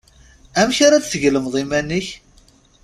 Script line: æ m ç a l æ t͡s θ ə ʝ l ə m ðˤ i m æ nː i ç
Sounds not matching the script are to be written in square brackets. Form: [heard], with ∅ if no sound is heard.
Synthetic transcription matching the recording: æ m ç a [ɾ] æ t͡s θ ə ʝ l ə m ðˤ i m æ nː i ç